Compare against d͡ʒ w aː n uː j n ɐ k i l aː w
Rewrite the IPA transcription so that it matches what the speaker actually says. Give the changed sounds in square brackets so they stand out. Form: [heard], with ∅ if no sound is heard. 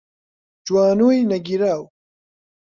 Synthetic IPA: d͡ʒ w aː n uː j n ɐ [ɡ] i [ɾ] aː w